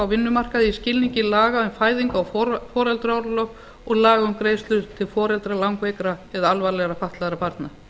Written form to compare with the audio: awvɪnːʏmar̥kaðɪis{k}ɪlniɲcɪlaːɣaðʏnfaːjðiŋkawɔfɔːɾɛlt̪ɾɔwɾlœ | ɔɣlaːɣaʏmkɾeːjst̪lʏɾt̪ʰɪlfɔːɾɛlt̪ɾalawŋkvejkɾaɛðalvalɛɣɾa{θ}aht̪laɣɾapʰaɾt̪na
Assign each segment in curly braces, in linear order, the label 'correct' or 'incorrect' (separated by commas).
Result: incorrect, incorrect